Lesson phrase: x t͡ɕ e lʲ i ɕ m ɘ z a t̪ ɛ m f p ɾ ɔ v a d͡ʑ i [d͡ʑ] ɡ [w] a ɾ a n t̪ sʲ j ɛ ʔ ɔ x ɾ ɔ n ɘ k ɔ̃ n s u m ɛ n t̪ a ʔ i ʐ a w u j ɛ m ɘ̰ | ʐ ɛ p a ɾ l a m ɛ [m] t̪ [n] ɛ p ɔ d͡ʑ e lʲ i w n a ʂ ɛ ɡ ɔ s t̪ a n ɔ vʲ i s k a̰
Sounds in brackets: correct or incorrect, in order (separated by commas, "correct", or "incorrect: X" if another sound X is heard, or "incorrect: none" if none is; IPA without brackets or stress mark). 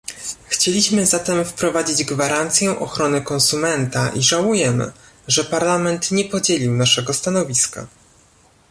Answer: correct, incorrect: v, incorrect: n, incorrect: ɲ